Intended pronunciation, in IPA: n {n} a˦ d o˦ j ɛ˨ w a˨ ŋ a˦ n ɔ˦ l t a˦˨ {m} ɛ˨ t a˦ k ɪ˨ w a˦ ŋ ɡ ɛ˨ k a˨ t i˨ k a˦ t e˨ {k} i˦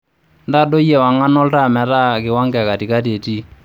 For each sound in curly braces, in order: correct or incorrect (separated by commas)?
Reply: incorrect, correct, incorrect